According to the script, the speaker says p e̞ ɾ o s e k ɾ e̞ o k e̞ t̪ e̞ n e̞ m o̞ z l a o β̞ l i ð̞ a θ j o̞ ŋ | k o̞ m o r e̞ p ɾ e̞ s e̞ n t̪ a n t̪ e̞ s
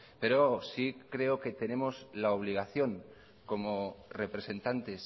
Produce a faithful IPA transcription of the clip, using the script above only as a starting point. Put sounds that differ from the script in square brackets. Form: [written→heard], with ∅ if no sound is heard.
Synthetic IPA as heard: p e̞ ɾ o s [e→i] k ɾ e̞ o k e̞ t̪ e̞ n e̞ m o̞ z l a o β̞ l i [ð̞→ɣ̞] a θ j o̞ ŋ | k o̞ m o r e̞ p ɾ e̞ s e̞ n t̪ a n t̪ e̞ s